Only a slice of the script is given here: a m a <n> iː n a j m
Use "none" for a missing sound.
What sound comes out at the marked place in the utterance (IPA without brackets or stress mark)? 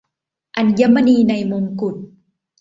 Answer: n